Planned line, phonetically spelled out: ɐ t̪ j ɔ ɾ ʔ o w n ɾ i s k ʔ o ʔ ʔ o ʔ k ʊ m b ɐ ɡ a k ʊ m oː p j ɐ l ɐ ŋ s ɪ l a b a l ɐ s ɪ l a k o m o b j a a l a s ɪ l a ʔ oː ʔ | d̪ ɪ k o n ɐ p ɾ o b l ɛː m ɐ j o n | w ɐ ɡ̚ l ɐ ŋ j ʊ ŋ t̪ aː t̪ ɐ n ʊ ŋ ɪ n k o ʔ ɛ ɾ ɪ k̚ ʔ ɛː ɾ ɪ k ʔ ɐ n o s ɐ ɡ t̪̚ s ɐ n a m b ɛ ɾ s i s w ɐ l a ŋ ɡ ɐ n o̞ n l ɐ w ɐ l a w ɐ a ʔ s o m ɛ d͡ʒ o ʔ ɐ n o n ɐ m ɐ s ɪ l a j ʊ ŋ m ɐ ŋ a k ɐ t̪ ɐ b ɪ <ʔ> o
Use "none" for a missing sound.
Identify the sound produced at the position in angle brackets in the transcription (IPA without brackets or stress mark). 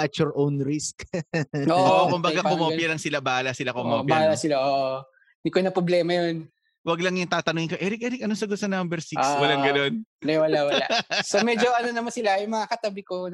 k